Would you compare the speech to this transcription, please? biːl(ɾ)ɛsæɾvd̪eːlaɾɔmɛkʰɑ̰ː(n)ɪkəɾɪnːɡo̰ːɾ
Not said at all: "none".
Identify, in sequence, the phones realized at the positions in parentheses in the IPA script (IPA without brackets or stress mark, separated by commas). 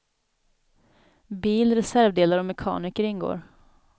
ɾ, n